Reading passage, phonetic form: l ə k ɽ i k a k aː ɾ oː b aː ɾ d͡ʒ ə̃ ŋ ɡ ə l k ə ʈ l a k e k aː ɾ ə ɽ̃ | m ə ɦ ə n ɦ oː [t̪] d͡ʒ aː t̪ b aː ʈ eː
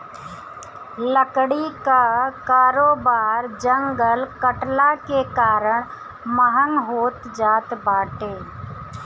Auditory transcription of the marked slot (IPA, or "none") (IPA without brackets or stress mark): t̪